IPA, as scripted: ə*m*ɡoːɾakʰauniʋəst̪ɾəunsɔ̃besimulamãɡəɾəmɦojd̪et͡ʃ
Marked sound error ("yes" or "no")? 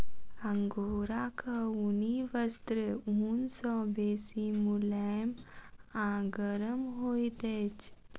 yes